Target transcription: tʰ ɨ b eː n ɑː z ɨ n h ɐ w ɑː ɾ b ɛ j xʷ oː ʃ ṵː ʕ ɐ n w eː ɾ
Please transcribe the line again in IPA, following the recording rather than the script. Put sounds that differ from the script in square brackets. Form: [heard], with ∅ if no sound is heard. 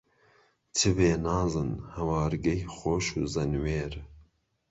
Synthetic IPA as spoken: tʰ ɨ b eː n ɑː z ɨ n h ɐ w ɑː ɾ [ɡ] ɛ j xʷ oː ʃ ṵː [z] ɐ n w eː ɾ